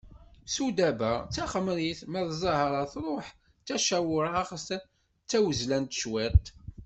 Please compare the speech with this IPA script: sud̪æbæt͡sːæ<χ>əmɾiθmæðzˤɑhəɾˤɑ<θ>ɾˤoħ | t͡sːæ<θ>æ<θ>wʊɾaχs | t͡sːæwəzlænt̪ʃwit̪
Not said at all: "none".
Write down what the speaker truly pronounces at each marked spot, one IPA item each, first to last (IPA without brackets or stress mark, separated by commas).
χ, θ, ʃ, none